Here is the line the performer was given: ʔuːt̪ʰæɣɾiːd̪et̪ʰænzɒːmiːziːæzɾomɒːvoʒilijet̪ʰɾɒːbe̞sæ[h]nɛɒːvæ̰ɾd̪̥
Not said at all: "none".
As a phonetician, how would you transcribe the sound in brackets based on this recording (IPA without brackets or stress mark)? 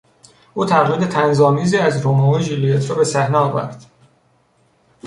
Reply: h